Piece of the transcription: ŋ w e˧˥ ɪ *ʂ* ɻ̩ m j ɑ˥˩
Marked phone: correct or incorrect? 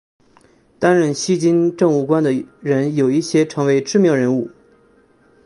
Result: incorrect: ʈ͡ʂ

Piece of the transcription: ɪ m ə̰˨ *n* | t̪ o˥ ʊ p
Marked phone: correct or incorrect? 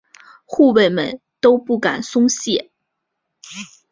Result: correct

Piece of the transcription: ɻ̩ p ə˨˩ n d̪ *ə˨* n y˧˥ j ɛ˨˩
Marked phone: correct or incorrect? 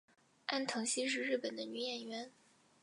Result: incorrect: ə˦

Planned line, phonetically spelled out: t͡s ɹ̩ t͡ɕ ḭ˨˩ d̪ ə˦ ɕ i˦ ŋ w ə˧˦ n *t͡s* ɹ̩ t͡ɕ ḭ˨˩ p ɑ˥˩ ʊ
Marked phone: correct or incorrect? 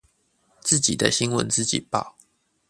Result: correct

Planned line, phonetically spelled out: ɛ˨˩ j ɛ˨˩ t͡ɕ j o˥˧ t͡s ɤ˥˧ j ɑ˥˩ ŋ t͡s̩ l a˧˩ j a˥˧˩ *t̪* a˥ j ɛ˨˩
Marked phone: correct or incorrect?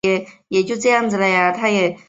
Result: incorrect: t̪ʰ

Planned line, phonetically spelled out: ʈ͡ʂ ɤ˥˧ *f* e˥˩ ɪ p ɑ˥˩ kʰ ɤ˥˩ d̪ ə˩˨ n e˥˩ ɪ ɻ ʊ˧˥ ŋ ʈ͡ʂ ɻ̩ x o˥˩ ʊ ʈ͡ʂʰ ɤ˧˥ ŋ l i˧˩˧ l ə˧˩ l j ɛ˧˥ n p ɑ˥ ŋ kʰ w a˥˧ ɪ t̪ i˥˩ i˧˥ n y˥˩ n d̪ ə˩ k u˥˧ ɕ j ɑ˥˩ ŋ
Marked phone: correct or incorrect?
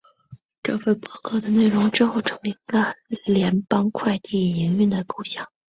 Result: correct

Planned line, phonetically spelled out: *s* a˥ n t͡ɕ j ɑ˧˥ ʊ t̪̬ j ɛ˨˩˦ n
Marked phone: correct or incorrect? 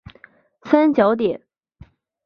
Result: correct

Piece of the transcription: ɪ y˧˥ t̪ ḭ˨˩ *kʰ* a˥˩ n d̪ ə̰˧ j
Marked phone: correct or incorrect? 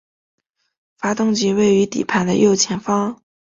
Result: incorrect: pʰ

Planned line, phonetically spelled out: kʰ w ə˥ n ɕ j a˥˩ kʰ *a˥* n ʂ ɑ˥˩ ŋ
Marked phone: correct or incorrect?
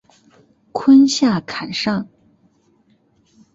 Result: incorrect: a˨˩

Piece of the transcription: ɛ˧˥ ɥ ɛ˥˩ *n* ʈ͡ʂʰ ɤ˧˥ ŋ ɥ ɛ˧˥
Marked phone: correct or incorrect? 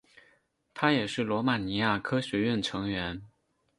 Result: correct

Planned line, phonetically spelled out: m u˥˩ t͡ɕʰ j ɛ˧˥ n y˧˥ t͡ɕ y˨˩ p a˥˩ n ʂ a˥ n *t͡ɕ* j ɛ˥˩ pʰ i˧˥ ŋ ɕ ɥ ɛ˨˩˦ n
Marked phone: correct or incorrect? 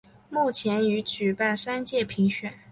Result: correct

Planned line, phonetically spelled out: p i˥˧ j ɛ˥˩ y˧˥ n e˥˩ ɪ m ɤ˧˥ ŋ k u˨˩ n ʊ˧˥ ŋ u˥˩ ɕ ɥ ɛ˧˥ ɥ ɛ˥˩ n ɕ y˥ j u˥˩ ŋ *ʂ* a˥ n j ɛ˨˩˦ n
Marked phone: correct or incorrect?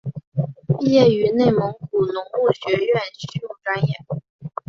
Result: incorrect: ʈ͡ʂ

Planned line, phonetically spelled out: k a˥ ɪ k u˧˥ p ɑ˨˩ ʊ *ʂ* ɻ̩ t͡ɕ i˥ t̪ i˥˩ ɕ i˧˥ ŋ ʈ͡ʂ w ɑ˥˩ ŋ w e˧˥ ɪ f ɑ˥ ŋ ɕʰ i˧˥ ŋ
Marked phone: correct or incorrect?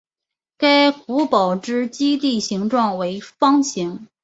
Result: incorrect: ʈ͡ʂ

